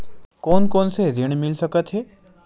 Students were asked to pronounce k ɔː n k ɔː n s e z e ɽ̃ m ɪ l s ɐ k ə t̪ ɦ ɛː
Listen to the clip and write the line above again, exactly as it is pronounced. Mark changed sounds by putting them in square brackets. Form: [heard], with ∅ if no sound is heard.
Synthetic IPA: k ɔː n k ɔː n s e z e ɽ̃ m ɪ l s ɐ k ə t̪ ɦ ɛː